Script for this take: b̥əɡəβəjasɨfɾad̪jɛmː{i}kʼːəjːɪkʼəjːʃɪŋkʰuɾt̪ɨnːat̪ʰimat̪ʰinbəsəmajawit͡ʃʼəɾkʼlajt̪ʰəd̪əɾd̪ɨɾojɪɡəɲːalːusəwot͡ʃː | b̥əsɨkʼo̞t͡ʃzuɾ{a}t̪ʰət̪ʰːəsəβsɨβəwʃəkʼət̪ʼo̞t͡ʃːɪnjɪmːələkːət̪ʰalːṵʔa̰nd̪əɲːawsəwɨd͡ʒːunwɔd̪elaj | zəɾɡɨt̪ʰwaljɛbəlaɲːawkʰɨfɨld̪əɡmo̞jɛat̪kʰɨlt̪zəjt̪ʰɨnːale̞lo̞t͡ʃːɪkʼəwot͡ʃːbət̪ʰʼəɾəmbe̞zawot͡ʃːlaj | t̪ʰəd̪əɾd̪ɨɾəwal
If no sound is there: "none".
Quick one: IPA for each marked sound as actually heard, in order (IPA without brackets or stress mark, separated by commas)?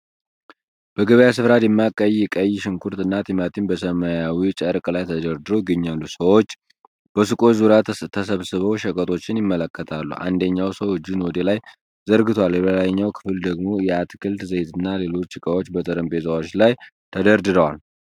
a, a